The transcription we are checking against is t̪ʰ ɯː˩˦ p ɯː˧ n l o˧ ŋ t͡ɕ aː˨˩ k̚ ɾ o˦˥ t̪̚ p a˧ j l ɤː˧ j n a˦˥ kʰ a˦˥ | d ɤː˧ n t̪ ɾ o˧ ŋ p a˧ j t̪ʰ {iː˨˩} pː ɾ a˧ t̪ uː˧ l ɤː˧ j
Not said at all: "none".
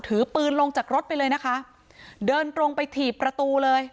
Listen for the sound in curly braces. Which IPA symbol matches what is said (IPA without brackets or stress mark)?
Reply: iː˨˩